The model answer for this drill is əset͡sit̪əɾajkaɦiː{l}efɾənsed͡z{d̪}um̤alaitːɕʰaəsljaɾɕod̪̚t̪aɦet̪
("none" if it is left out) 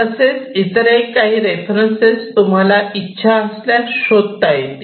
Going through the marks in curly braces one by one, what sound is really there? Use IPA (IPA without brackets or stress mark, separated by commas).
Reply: ɾ, t̪